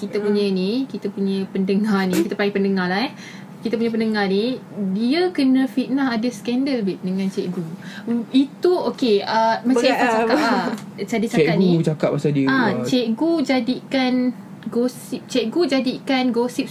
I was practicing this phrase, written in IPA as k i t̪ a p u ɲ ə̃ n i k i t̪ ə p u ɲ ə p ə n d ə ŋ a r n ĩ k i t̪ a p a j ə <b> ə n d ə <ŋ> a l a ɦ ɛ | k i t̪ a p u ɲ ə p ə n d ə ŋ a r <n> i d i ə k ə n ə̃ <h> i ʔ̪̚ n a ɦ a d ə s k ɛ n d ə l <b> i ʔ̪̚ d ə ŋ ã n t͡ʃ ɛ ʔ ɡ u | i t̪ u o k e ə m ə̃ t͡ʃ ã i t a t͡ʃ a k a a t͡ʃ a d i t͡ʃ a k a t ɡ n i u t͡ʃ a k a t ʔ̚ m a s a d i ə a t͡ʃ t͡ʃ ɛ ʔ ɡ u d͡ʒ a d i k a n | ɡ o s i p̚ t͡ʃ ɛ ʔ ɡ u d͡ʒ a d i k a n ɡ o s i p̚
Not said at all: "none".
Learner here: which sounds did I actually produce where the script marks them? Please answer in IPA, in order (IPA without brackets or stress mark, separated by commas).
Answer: p, ŋ, n, f, b